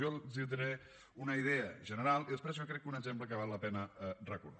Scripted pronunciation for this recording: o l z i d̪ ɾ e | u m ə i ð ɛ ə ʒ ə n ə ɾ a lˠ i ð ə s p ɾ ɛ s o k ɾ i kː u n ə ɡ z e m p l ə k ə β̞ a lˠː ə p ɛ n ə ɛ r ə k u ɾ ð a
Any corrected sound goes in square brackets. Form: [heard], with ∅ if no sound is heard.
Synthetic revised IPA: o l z i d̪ ɾ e | u [n] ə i ð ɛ ə ʒ ə n ə ɾ a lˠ i ð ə s p ɾ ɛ [z] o k ɾ [ɛ] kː u n ə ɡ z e m p l ə k ə β̞ a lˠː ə p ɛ n ə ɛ r ə k u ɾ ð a